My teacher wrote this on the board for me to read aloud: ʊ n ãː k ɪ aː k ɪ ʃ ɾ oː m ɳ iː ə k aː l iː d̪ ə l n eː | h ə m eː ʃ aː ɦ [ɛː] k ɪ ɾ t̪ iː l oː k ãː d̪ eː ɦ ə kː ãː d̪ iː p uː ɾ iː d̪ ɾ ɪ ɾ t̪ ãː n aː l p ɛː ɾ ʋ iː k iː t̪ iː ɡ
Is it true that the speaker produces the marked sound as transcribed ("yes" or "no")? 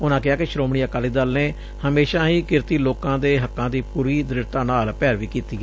no